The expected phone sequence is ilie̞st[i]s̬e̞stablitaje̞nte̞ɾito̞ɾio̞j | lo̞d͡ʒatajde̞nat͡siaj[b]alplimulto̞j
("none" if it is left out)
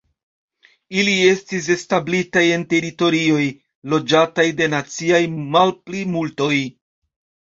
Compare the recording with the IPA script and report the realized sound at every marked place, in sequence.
i, m

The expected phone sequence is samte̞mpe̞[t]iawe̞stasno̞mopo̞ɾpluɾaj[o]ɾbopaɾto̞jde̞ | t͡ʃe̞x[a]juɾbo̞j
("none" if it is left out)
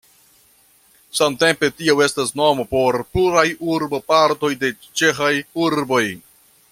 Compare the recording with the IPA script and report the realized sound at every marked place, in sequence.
t, u, a

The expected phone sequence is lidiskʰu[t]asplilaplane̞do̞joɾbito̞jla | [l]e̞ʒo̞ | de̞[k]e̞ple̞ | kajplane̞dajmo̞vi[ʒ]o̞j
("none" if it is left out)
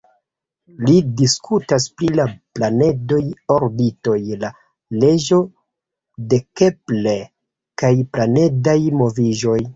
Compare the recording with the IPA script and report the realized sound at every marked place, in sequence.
t, l, k, ʒ

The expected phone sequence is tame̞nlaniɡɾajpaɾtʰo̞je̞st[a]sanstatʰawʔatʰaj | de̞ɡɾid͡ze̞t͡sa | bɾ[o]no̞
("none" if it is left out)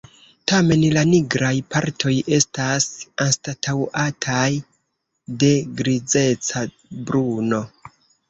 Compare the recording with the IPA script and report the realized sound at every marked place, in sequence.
a, u

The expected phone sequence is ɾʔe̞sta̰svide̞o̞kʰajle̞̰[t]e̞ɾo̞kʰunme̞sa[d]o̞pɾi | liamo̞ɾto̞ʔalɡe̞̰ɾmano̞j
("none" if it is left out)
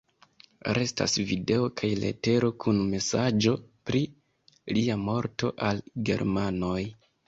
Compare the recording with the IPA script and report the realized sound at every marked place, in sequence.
t, d͡ʒ

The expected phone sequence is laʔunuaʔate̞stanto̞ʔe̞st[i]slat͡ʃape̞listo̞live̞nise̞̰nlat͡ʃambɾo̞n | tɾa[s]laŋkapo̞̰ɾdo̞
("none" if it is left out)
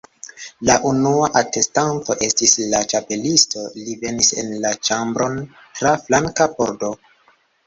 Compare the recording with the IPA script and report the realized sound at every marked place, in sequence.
i, f

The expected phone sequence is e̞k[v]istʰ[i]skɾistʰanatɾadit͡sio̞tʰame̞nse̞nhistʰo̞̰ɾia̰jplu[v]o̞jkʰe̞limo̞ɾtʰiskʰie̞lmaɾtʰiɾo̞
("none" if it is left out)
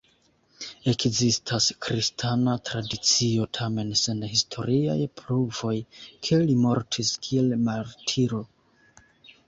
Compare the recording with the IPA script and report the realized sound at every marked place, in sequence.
z, a, v

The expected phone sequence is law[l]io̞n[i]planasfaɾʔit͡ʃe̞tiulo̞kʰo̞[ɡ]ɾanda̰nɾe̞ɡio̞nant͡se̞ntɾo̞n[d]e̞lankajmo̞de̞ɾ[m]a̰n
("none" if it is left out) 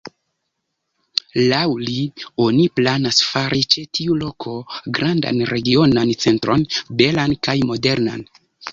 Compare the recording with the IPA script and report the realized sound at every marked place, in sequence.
l, i, ɡ, b, n

